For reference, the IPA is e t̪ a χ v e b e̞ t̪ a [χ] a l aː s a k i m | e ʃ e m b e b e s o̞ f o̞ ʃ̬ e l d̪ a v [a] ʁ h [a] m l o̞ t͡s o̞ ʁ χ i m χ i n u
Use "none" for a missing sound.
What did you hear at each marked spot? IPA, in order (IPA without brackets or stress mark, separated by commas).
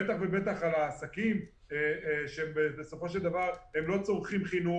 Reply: χ, a, e